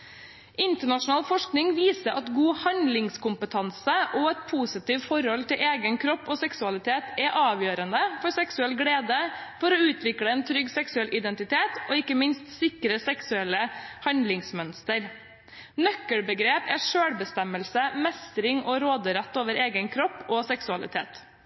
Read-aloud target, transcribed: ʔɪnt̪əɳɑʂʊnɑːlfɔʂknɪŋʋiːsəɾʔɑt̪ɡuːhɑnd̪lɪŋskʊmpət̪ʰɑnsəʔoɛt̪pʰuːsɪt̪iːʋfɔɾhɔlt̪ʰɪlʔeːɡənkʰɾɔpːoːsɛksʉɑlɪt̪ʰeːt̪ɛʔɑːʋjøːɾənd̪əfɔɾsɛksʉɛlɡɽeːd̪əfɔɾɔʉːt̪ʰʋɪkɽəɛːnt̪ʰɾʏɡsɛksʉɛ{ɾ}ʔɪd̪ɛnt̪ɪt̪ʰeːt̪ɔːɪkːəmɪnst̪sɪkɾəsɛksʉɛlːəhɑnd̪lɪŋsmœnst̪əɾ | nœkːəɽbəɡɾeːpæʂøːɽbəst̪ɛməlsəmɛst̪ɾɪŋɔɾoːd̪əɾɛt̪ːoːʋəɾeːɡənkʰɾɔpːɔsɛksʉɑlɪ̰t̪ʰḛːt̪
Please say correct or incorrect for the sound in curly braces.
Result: incorrect: l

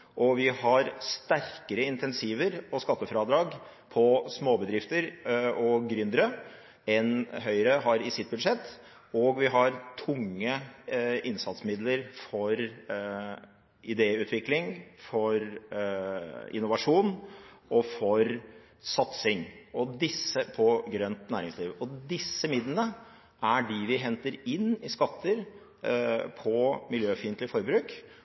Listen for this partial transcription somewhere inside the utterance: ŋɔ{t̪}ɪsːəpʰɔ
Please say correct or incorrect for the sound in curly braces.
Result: incorrect: d̪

